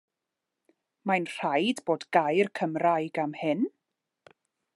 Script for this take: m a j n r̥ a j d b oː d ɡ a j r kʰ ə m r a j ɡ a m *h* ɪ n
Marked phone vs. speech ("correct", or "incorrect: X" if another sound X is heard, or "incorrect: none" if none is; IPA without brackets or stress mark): correct